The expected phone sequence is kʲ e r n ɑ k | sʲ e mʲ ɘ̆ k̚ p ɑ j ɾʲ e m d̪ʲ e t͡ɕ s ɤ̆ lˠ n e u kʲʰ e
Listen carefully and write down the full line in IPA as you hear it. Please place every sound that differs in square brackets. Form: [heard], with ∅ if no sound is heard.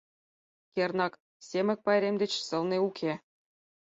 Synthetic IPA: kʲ e r n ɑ k | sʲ e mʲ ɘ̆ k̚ p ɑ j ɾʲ e m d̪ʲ e t͡ɕ s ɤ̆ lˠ n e u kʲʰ e